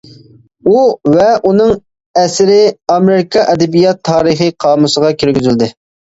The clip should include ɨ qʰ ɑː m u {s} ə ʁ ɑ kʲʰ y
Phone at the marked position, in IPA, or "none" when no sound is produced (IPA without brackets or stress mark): s